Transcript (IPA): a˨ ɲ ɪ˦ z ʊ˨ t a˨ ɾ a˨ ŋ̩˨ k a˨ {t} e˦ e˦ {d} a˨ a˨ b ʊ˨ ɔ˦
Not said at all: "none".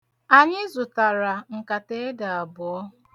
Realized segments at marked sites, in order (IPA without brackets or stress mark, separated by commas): t, d